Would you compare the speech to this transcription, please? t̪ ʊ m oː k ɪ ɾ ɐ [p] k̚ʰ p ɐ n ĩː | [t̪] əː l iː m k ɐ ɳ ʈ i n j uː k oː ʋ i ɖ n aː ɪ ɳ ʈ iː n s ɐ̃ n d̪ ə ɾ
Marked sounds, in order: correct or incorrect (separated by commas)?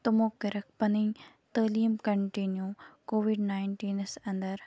incorrect, correct